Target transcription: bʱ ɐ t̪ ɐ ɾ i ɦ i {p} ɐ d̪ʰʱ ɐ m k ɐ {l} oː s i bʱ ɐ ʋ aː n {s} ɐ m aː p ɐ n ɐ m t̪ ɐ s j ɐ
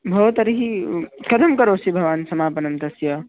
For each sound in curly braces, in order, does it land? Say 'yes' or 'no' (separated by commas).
no, no, yes